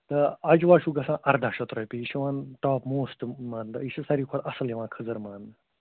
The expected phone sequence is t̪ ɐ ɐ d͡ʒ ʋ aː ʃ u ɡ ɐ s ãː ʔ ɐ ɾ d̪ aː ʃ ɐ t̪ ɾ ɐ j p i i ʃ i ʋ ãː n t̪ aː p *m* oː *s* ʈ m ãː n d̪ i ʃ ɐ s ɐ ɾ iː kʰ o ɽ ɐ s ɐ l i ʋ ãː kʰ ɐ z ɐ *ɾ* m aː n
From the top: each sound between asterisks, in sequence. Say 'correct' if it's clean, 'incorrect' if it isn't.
correct, correct, correct

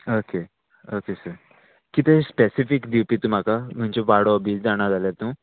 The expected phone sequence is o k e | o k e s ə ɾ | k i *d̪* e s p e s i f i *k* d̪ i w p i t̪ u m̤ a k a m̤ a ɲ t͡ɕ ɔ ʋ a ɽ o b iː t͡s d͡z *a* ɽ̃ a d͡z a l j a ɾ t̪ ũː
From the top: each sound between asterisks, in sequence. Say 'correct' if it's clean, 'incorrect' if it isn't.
incorrect, correct, correct

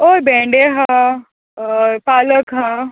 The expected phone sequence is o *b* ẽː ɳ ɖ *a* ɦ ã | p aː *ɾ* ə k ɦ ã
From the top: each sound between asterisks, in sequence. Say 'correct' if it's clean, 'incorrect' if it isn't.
correct, incorrect, incorrect

